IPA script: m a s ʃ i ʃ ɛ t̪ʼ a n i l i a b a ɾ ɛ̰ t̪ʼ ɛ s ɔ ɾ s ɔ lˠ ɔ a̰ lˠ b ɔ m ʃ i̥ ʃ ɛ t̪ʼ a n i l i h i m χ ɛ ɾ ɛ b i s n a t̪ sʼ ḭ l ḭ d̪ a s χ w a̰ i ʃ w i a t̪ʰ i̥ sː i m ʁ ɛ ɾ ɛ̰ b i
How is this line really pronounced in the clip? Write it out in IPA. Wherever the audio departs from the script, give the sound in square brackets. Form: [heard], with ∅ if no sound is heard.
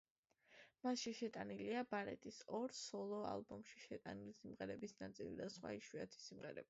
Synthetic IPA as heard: m a s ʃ i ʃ ɛ t̪ʼ a n i l i a b a ɾ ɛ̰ t̪ʼ [i] s ɔ ɾ s ɔ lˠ ɔ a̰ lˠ b ɔ m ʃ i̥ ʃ ɛ t̪ʼ a n i l i [s] i m [ʁ] ɛ ɾ ɛ b i s n a t̪ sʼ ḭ l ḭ d̪ a s χ w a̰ i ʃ w i a t̪ʰ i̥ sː i m ʁ ɛ ɾ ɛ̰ b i